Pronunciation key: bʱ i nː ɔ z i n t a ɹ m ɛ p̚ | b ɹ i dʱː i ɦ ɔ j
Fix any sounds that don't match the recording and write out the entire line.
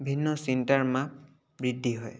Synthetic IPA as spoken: bʱ i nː ɔ s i n t a ɹ m a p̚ | b ɹ i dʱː i ɦ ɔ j